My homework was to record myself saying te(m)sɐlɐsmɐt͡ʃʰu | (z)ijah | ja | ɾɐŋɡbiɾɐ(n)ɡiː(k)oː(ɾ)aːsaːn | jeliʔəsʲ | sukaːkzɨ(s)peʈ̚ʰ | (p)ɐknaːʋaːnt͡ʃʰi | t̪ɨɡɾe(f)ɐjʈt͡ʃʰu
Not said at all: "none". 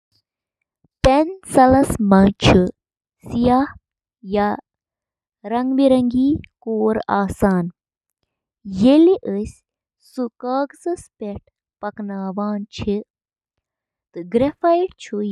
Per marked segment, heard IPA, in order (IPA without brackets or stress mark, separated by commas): n, s, ŋ, k, ɾ, s, p, f